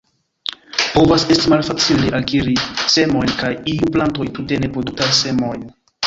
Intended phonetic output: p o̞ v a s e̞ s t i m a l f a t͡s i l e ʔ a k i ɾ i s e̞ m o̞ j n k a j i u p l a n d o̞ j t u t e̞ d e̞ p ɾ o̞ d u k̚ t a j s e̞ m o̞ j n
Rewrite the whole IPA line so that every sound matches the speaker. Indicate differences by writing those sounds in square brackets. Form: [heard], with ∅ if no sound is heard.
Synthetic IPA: p o̞ v a s e̞ s t i m a l f a t͡s i l e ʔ a k i ɾ i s e̞ m o̞ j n k a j i u p l a n [t] o̞ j t u t e̞ [n] e̞ p ɾ o̞ d u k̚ t a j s e̞ m o̞ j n